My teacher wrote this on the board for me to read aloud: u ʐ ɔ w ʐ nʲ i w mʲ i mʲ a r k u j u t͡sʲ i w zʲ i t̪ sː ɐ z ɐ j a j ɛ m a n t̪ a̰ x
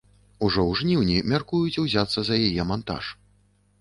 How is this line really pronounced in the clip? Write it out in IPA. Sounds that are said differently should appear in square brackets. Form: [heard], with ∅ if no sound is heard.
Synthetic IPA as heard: u ʐ ɔ w ʐ nʲ i w [nʲ] i mʲ a r k u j u t͡sʲ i w zʲ [a] t̪ sː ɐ z ɐ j a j ɛ m a n t̪ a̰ [ʂ]